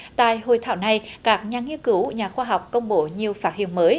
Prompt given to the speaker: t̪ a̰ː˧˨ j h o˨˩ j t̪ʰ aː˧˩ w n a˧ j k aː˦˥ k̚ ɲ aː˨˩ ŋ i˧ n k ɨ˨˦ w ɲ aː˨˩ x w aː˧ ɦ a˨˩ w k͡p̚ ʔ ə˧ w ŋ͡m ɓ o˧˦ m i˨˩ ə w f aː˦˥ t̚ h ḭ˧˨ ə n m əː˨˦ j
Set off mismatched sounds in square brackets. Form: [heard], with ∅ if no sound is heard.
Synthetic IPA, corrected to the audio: t̪ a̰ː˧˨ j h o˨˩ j t̪ʰ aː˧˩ w n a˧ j k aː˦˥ k̚ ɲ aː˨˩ ŋ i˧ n k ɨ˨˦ w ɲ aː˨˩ x w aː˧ ɦ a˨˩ w k͡p̚ [k] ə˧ w ŋ͡m ɓ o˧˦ [ɲ] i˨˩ ə w f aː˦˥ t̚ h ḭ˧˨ ə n m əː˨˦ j